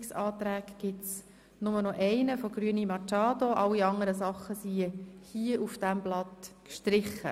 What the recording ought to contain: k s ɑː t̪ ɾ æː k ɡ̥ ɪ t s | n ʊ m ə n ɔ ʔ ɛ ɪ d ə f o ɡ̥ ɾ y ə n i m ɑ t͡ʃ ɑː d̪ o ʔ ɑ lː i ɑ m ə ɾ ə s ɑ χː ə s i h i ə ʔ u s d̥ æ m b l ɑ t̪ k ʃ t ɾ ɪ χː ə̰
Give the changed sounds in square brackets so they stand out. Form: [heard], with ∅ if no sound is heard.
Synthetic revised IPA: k s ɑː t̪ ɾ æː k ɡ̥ ɪ t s | n ʊ m ə n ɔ ʔ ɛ ɪ [n] ə f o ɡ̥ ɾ y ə n i m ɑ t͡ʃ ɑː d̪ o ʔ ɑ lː i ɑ [ŋ] ə ɾ ə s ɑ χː ə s i h i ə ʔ u [f] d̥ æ m b l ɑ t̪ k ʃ t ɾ ɪ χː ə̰